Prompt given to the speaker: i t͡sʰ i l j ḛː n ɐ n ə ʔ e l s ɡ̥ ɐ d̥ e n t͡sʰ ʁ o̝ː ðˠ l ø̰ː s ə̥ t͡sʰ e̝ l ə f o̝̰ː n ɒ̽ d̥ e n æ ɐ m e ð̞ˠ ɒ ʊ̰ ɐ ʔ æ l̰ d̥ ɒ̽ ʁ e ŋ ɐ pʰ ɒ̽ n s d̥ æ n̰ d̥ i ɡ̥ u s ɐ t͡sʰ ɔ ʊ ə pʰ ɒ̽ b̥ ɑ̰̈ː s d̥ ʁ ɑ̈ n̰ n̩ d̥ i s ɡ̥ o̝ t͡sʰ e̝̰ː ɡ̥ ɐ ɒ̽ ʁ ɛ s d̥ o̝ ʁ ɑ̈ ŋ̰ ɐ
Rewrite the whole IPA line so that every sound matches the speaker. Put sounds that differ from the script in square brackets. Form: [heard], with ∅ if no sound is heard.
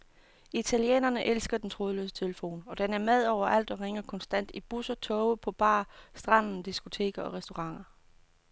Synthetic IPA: i t͡sʰ [æ] l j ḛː n ɐ n ə ʔ e l s ɡ̥ ɐ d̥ e n t͡sʰ ʁ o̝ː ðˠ l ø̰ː s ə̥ t͡sʰ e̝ l ə f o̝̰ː n ɒ̽ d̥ e n æ ɐ m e ð̞ˠ ɒ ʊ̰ ɐ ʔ æ l̰ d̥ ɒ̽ ʁ e ŋ ɐ [kʰ] ɒ̽ n s d̥ æ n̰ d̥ i [b̥] u s ɐ t͡sʰ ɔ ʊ ə pʰ ɒ̽ b̥ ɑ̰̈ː s d̥ ʁ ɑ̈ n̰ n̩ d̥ i s ɡ̥ o̝ t͡sʰ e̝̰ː ɡ̥ ɐ ɒ̽ ʁ ɛ s d̥ o̝ ʁ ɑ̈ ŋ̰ ɐ